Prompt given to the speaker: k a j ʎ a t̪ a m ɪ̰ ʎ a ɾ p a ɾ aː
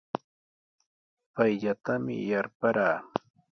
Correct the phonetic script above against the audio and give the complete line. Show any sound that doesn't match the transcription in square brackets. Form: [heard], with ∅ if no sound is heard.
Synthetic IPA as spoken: [p] a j ʎ a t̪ a m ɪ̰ [j] a ɾ p a ɾ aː